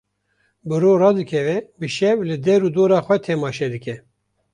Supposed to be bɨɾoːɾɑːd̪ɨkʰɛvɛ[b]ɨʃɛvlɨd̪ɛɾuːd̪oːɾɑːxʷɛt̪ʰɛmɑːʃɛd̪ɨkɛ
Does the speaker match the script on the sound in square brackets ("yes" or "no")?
yes